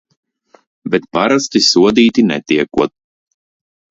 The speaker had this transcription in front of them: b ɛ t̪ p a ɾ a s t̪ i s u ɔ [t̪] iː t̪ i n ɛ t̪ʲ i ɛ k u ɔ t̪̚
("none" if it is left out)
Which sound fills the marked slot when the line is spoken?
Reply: d̪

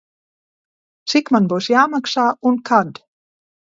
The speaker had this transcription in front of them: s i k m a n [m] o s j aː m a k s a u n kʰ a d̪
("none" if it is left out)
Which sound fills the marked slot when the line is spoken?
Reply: b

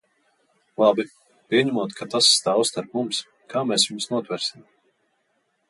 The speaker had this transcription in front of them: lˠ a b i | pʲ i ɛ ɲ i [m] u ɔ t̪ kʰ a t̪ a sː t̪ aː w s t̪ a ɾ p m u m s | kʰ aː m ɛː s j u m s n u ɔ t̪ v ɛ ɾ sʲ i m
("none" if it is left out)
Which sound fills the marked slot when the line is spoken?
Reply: m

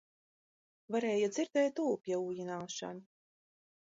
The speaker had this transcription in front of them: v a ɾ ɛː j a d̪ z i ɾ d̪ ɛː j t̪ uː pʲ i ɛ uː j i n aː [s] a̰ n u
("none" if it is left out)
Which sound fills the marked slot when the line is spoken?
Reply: ʃ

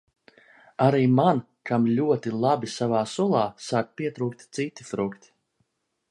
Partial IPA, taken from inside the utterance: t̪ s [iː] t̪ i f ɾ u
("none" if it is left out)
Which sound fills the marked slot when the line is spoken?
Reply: i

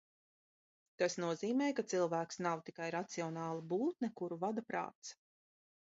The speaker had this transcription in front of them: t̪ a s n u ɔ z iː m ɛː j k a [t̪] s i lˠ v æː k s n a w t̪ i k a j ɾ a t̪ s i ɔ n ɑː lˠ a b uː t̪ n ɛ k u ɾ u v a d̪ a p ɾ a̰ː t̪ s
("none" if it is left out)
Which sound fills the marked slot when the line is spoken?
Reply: t̪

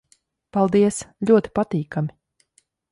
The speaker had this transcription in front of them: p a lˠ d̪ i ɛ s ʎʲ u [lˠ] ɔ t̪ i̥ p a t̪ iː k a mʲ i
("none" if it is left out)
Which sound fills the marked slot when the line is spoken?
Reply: none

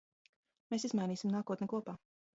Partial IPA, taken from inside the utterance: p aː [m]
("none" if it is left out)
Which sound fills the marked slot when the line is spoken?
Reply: none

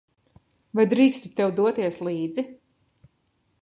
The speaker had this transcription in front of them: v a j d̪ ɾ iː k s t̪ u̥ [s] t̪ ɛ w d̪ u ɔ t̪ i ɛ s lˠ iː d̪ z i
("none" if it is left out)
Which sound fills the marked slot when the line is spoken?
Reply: none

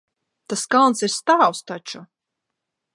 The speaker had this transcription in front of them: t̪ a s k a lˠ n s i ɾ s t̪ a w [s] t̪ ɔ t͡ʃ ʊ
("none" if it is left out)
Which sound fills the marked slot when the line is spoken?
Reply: s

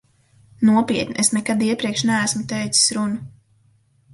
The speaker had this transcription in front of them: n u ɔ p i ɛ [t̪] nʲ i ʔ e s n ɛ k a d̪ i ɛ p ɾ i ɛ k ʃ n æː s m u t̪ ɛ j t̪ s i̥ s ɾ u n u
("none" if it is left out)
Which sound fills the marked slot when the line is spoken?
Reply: t̪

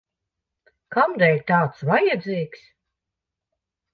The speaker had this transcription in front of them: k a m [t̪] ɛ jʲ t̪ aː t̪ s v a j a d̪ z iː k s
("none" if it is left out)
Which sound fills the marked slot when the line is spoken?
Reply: d̪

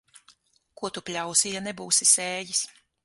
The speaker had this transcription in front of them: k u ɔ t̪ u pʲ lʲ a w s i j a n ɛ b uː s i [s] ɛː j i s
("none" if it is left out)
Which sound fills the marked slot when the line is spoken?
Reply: s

